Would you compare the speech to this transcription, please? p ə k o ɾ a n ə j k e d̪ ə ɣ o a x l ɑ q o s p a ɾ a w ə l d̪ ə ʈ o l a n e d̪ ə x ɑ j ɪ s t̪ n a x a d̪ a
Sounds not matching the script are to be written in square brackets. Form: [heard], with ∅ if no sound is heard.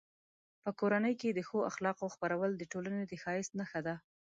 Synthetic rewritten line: p ə k o ɾ a n ə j k e d̪ ə [x] o a x l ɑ q o [x] p a ɾ a w ə l d̪ ə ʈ o l a n e d̪ ə x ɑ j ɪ s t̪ n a x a d̪ a